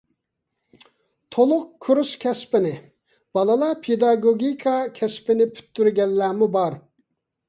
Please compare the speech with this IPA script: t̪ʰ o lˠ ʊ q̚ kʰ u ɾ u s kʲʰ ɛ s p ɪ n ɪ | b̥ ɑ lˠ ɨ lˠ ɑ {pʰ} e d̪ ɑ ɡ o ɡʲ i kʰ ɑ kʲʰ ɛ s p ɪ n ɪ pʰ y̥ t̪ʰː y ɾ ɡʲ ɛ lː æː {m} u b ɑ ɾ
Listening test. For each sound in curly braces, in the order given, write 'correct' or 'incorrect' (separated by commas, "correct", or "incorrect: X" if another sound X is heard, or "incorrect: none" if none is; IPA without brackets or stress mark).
correct, correct